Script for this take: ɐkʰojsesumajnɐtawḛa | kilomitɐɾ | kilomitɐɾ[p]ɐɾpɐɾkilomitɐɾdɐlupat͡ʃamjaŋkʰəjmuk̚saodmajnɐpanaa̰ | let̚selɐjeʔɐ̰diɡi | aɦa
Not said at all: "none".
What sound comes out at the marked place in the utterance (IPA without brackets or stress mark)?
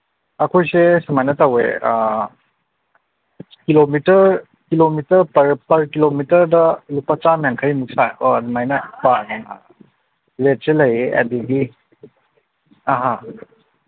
p